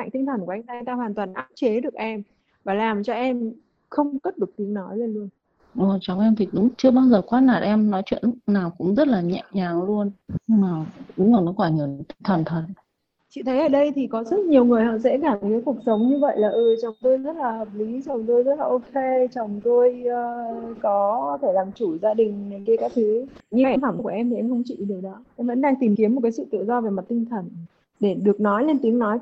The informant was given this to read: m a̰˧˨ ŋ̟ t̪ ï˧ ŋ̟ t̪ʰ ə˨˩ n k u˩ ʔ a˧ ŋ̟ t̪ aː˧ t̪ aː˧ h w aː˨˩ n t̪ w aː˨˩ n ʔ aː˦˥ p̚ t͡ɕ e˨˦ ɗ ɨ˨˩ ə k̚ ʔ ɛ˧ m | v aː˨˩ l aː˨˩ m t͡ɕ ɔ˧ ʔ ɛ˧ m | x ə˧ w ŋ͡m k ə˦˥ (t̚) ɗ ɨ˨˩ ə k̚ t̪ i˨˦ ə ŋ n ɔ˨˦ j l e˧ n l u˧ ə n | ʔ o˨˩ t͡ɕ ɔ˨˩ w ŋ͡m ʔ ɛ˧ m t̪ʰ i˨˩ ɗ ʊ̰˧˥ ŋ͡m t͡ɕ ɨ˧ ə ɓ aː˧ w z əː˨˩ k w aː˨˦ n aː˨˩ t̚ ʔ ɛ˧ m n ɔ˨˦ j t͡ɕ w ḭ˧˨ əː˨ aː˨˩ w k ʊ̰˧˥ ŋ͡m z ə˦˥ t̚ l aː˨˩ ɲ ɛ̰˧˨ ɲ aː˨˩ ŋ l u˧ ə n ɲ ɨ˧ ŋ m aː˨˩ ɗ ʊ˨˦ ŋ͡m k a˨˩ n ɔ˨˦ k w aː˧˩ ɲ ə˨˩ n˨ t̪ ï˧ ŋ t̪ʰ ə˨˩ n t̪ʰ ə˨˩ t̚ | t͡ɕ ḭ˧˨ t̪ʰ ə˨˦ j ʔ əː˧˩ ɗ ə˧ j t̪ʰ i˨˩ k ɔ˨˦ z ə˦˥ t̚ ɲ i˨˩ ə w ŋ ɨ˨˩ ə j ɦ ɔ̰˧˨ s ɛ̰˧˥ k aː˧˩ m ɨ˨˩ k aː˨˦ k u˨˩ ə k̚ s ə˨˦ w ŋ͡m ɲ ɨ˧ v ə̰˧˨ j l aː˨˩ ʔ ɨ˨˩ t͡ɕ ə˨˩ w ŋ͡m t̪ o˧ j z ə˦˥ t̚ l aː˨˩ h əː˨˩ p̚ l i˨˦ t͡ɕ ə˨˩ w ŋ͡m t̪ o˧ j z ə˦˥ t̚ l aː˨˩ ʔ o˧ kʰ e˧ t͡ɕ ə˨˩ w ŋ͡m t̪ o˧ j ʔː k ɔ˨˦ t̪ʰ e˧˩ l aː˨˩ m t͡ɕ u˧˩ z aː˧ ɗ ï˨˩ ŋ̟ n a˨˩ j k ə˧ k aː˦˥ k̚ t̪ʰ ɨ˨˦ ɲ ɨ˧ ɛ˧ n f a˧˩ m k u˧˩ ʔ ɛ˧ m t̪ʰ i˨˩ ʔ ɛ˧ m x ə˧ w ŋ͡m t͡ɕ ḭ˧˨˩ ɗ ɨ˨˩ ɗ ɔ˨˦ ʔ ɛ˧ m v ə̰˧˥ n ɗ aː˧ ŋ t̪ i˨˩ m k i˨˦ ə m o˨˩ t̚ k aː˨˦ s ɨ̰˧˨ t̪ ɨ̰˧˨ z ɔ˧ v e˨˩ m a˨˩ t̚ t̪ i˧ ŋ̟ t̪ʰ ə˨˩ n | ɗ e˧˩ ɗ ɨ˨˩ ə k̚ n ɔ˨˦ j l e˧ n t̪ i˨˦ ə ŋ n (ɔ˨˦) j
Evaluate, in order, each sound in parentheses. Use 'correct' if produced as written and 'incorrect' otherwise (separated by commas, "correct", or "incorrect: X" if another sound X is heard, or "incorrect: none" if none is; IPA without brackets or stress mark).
correct, correct